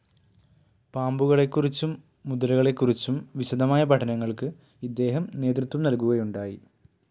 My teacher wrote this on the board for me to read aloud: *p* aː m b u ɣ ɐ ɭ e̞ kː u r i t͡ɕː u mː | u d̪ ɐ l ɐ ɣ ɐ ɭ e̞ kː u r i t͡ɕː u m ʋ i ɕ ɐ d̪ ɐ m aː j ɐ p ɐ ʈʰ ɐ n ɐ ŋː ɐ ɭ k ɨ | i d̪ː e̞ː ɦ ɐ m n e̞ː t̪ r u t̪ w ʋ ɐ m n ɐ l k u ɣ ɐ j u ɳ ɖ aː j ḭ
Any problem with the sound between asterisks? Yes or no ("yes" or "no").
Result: no